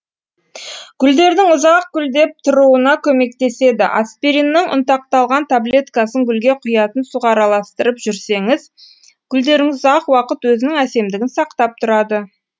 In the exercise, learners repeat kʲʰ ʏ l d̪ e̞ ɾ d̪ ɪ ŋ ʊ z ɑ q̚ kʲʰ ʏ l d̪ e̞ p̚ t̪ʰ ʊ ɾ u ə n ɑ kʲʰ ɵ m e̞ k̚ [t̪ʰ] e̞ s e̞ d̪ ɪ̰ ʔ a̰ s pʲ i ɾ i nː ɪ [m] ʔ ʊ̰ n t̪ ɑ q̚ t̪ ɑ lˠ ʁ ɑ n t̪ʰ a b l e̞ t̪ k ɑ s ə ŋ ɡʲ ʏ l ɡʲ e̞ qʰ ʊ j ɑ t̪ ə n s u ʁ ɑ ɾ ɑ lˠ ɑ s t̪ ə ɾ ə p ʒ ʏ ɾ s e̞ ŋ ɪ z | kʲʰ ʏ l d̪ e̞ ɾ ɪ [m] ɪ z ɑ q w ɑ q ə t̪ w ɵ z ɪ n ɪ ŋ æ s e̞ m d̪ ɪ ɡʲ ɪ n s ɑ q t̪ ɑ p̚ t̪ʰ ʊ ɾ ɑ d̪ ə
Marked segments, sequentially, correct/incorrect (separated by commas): incorrect, incorrect, incorrect